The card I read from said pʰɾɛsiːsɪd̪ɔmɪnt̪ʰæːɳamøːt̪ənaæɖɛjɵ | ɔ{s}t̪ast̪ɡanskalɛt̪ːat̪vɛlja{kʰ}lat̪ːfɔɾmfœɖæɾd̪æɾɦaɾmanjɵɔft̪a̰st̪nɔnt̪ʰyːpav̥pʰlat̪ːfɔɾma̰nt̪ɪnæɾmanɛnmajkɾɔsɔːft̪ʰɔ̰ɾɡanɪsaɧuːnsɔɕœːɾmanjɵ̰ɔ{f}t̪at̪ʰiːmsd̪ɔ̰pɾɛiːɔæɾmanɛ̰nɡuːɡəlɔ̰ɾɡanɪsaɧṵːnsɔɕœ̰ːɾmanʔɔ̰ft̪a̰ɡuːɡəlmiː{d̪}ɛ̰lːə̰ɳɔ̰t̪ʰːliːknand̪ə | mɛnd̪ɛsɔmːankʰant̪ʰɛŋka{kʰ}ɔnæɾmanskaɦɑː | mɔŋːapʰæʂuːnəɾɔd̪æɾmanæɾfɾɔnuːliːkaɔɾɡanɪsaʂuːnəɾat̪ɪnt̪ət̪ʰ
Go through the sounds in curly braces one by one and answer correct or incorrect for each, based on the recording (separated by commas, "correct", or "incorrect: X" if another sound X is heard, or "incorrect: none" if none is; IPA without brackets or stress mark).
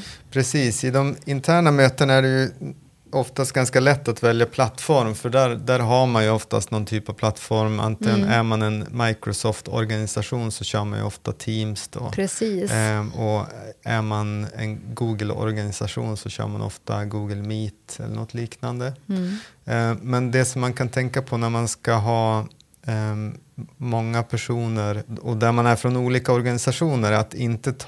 incorrect: f, incorrect: pʰ, correct, incorrect: t̪, incorrect: pʰ